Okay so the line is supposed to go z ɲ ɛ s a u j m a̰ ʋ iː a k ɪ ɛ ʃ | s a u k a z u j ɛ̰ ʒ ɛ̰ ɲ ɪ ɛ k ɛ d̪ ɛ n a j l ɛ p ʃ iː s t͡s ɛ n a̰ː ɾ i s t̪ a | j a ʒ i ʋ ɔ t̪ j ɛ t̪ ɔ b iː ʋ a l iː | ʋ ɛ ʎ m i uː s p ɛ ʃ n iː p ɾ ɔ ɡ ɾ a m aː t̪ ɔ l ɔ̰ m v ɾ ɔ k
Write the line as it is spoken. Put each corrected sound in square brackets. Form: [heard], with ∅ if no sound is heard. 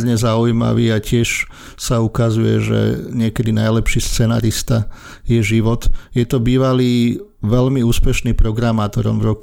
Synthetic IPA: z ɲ ɛ [z] a u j m a̰ ʋ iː a [c] ɪ ɛ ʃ | s a u k a z u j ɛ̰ ʒ ɛ̰ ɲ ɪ ɛ k ɛ d̪ [i] n a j l ɛ p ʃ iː s t͡s ɛ n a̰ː ɾ i s t̪ a | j [ɛ] ʒ i ʋ ɔ t̪ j ɛ t̪ ɔ b iː ʋ a l iː | ʋ ɛ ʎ m i uː s p ɛ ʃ n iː p ɾ ɔ ɡ ɾ a m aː t̪ ɔ [ɾ] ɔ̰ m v ɾ ɔ k